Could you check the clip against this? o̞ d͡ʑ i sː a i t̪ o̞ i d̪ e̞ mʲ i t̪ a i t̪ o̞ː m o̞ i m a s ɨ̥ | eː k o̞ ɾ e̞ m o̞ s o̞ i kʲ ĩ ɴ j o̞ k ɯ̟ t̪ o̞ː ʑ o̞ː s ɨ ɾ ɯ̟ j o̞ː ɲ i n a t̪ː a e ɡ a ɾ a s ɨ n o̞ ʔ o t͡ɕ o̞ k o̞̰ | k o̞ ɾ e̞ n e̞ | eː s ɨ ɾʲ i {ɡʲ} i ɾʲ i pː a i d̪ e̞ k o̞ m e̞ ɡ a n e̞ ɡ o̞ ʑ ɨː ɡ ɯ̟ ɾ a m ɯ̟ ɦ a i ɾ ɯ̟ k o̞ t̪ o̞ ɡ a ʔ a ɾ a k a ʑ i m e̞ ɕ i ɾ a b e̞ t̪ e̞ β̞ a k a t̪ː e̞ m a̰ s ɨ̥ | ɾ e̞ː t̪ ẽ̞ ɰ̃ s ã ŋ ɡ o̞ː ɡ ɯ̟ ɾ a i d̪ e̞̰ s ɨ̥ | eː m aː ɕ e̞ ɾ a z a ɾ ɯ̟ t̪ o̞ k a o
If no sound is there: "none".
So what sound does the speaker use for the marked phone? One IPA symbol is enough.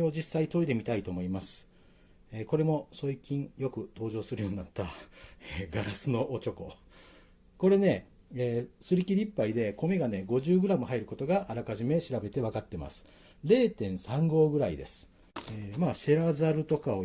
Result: kʲ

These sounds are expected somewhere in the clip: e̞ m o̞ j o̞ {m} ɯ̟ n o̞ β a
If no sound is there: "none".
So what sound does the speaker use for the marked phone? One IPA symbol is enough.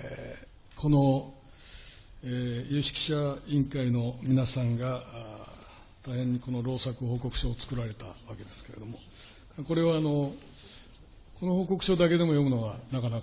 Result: m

